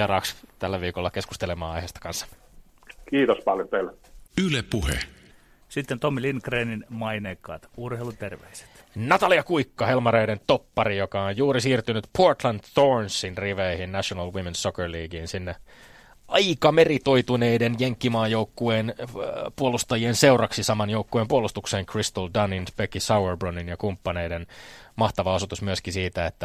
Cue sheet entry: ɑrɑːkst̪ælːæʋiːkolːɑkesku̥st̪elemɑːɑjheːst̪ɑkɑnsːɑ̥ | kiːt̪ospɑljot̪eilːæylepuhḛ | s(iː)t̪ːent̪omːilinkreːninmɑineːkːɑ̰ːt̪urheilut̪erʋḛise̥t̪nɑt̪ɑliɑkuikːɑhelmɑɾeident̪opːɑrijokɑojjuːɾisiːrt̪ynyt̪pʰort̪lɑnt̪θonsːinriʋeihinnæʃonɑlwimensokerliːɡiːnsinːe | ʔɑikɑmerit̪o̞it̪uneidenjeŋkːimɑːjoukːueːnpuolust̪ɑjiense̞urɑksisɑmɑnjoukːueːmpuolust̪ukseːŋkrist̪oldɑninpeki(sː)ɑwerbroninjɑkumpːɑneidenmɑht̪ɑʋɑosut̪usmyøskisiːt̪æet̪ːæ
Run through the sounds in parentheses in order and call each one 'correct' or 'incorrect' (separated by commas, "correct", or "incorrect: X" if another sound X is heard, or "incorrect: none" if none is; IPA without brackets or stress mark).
incorrect: i, incorrect: s